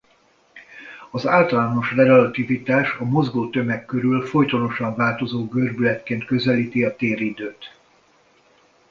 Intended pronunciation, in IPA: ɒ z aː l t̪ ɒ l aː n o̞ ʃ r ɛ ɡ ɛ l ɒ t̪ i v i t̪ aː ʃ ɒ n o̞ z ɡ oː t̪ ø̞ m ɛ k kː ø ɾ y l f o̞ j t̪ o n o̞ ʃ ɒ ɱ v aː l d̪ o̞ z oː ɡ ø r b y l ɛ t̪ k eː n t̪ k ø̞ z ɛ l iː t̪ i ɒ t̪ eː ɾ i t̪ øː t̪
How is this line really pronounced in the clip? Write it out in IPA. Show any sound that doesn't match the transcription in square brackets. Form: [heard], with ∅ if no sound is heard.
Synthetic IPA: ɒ z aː l t̪ ɒ l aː n o̞ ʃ r ɛ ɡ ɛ l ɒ t̪ i v i t̪ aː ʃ ɒ [m] o̞ z ɡ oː t̪ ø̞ m ɛ k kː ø ɾ y l f o̞ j t̪ o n o̞ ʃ ɒ ɱ v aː l [t̪] o̞ z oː ɡ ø r b y l ɛ t̪ k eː n t̪ k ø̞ z ɛ l iː t̪ i ɒ t̪ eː ɾ i [d̪] øː t̪